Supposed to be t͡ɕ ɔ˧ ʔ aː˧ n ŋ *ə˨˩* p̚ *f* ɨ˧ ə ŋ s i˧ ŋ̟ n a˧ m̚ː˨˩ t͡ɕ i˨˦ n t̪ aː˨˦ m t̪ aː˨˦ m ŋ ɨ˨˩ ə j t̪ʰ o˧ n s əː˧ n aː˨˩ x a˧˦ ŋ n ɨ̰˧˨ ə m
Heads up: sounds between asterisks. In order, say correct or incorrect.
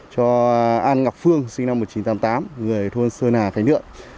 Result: incorrect, correct

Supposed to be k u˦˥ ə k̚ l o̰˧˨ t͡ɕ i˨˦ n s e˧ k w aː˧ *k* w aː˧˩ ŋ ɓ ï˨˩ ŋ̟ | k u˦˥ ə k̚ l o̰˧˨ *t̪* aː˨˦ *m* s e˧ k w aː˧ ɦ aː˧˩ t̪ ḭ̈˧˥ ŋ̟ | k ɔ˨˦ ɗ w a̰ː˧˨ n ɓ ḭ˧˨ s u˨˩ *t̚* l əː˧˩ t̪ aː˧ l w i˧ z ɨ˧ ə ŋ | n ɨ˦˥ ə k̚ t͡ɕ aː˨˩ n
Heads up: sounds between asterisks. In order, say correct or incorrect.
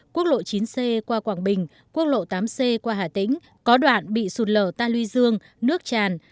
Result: correct, correct, correct, correct

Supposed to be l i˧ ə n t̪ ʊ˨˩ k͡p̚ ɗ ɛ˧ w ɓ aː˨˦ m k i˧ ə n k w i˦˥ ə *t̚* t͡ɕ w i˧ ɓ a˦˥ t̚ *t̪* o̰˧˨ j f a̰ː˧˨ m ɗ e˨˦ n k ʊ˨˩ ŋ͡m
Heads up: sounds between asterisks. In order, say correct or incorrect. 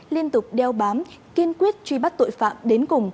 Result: correct, correct

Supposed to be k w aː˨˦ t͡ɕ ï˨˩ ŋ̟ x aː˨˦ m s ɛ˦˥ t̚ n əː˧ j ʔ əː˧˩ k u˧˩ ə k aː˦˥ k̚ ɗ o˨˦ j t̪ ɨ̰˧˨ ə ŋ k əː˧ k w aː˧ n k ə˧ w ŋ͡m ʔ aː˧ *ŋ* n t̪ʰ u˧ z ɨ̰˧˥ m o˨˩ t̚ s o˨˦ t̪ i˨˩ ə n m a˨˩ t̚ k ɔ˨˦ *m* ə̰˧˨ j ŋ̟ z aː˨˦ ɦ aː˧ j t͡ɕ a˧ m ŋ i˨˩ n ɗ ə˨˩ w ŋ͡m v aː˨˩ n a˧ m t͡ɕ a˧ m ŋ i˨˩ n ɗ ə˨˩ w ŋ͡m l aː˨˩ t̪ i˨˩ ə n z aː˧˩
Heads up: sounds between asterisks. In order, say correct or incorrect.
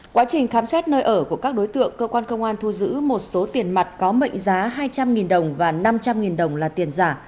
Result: incorrect, correct

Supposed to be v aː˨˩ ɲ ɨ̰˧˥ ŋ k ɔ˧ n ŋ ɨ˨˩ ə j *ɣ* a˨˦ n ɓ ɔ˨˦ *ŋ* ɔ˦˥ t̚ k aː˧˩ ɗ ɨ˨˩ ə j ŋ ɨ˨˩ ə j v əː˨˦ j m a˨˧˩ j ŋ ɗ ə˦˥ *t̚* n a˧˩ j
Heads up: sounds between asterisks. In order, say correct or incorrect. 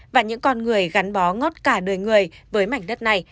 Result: correct, correct, correct

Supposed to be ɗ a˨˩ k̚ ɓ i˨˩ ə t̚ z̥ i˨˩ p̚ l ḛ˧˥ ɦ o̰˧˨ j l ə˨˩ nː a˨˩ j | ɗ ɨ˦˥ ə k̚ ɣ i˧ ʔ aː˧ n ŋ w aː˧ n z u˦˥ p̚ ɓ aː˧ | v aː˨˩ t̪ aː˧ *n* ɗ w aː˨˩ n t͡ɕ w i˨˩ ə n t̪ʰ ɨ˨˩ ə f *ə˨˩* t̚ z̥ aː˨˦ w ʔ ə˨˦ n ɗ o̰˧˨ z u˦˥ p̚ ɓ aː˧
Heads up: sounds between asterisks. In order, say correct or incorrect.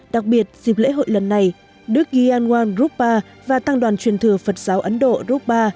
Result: incorrect, correct

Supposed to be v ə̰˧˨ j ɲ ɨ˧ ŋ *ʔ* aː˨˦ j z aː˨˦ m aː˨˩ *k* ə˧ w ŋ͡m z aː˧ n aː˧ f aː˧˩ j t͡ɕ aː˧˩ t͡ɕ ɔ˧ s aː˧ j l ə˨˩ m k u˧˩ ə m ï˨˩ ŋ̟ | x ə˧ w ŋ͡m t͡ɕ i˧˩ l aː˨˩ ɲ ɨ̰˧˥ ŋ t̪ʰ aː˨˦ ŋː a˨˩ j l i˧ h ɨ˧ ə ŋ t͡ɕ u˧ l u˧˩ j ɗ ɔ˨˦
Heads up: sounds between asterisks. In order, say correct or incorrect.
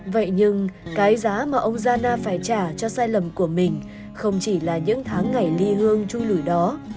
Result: incorrect, incorrect

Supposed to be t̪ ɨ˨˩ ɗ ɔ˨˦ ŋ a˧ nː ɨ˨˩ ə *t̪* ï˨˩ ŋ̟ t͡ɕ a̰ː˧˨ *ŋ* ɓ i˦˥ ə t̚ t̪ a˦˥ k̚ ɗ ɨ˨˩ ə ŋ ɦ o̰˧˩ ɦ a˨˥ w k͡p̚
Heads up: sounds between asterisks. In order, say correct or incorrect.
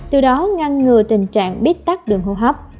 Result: correct, correct

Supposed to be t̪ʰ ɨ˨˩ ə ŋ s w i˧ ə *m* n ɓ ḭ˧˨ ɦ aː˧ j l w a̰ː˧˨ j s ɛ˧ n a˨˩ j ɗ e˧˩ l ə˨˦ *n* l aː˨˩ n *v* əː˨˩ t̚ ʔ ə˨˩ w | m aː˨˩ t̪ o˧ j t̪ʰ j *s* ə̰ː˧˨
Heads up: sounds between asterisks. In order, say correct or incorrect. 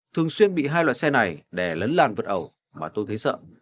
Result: incorrect, correct, correct, correct

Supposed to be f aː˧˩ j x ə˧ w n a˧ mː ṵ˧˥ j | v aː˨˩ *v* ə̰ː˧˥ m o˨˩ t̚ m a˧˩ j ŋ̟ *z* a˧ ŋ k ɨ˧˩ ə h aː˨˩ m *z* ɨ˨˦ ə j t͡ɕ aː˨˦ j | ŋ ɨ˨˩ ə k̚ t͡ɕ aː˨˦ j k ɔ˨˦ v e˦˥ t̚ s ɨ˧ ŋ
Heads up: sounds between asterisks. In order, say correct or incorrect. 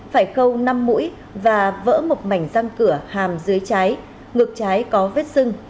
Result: correct, correct, correct

